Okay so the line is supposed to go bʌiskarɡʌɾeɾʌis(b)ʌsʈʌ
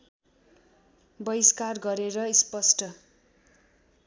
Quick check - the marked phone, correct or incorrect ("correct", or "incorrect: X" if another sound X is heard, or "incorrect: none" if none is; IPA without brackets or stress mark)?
incorrect: p